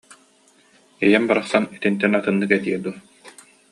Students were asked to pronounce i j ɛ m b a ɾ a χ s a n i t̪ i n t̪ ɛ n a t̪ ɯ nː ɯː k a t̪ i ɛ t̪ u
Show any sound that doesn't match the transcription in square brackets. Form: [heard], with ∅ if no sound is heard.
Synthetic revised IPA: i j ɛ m b a ɾ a χ s a n i t̪ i n t̪ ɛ n a t̪ ɯ nː [ɯ] k [ɛ] t̪ i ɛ [d̪] u